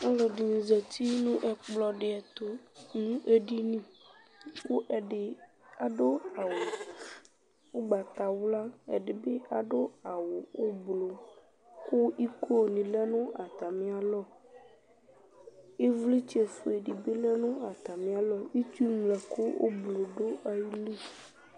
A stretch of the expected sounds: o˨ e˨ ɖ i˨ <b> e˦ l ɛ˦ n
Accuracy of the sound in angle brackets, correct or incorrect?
correct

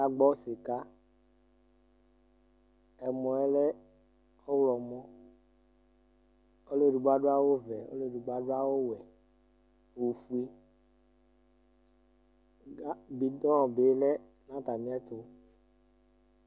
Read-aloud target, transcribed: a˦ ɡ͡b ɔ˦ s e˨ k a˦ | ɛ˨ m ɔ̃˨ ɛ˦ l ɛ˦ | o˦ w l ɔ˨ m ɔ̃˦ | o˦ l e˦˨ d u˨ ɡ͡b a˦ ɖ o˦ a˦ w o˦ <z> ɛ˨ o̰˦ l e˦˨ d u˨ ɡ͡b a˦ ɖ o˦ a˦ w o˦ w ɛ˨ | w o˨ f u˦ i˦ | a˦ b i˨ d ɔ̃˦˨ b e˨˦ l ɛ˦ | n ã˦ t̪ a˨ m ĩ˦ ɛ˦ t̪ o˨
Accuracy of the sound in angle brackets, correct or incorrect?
incorrect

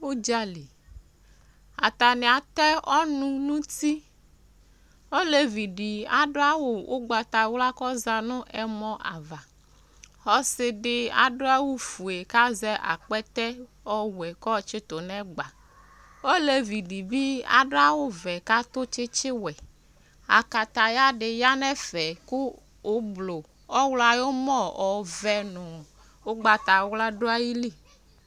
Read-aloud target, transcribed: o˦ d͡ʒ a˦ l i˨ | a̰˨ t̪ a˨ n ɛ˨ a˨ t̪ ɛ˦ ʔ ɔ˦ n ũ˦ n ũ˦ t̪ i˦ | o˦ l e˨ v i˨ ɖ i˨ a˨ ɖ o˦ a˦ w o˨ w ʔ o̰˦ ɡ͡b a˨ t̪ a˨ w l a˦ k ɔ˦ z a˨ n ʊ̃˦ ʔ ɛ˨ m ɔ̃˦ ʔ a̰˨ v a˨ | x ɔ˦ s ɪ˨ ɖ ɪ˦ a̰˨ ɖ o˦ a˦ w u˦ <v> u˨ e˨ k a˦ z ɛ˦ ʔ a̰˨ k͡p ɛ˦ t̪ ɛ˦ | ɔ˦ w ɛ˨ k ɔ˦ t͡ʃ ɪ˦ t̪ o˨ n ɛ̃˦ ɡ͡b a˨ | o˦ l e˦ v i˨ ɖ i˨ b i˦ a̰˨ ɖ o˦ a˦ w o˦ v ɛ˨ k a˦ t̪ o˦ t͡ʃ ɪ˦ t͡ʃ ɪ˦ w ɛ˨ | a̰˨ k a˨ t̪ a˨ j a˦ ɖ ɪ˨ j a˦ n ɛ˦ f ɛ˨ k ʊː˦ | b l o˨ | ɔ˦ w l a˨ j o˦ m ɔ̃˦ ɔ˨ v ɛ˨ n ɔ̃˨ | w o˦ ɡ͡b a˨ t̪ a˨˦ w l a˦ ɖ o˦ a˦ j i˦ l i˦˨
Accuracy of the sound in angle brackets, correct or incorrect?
incorrect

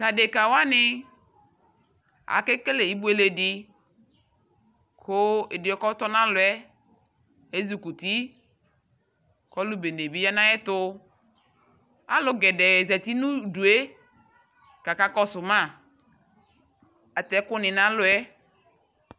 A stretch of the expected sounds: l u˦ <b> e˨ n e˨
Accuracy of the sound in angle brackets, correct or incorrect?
correct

